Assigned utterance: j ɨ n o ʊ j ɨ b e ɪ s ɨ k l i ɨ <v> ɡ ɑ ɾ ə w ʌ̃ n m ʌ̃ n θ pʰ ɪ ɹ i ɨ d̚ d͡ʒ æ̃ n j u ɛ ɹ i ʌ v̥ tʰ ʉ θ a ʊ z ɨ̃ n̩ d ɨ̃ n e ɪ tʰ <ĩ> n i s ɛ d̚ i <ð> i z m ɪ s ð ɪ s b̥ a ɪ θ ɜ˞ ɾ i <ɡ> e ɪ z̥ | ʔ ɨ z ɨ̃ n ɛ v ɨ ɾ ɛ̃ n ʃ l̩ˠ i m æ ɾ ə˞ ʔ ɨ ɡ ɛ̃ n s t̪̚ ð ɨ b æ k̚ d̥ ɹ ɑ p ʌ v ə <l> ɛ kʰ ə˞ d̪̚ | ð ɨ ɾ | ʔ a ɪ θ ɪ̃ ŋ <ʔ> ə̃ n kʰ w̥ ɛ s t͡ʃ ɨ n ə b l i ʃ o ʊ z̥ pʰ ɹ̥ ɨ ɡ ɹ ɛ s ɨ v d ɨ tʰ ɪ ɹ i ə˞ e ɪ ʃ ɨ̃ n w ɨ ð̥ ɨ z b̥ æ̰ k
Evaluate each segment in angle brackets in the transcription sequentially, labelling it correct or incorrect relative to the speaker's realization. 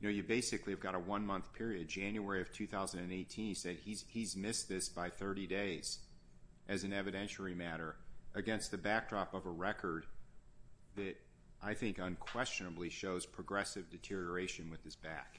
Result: correct, correct, incorrect: z, incorrect: d, incorrect: ɹ, incorrect: k

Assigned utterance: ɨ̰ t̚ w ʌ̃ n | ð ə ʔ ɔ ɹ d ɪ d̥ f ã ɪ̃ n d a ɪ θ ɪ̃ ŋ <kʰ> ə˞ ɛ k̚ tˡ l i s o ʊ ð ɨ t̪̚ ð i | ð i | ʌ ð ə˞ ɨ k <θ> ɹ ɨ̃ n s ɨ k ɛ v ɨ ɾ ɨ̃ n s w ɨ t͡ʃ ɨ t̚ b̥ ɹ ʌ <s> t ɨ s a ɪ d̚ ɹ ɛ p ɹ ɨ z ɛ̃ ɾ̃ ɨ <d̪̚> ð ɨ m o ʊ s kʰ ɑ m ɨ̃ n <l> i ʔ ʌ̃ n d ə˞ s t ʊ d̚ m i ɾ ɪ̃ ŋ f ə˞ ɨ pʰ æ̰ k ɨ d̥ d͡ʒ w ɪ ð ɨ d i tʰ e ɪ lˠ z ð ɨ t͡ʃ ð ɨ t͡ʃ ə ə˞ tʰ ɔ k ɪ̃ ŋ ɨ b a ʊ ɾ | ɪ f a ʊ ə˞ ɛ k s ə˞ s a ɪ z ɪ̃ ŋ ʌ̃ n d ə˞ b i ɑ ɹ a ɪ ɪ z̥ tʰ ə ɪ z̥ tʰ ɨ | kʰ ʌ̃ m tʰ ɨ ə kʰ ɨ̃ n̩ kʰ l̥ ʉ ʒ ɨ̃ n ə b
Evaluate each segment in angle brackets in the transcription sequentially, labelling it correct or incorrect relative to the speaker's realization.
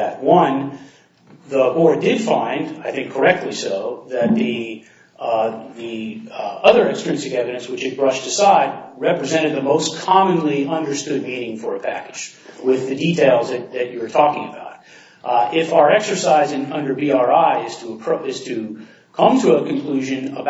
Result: correct, incorrect: s, incorrect: ʃ, correct, correct

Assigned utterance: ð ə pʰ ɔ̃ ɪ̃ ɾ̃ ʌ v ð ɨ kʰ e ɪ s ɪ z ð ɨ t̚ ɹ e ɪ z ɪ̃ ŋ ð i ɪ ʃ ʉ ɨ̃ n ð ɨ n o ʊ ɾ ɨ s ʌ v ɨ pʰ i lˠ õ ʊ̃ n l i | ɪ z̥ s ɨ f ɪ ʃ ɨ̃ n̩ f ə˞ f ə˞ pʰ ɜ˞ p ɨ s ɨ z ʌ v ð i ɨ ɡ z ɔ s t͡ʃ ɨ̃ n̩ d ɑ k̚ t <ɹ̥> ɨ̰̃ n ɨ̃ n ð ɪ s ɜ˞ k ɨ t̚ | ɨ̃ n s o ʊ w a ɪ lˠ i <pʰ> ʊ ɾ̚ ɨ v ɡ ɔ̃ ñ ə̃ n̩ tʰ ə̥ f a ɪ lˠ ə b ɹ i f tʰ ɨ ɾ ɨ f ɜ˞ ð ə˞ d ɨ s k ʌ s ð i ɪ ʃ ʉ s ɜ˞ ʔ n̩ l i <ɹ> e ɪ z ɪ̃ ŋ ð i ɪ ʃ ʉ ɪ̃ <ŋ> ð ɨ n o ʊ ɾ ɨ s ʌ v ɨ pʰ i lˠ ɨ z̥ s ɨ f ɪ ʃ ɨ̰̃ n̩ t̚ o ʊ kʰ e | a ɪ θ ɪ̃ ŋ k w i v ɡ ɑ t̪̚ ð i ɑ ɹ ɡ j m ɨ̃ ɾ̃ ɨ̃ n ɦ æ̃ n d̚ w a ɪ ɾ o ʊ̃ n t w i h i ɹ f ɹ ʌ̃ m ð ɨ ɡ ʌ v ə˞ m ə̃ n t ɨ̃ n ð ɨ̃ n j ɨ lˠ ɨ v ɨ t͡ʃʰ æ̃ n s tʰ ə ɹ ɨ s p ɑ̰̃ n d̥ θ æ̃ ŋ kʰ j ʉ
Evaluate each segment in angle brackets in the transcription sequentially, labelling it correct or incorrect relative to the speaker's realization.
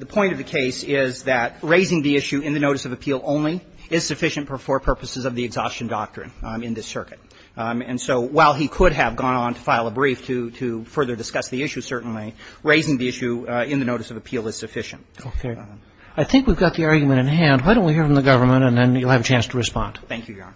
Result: correct, incorrect: kʰ, correct, incorrect: n

